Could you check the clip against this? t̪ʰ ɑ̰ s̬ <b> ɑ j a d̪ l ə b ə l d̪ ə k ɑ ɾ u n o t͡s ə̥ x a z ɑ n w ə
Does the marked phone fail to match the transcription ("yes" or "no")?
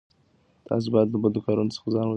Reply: no